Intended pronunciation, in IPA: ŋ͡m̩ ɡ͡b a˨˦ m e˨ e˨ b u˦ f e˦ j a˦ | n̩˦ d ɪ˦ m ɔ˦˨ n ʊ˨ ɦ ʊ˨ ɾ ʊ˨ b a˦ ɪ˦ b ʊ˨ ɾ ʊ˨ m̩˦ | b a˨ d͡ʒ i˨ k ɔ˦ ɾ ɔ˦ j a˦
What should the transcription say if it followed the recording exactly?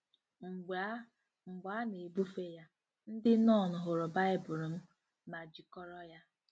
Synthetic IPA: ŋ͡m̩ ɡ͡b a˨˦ n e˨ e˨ b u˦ f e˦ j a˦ | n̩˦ d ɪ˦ n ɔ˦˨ n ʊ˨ ɦ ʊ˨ ɾ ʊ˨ b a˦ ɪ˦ b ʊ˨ ɾ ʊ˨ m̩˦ | m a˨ d͡ʒ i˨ k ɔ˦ ɾ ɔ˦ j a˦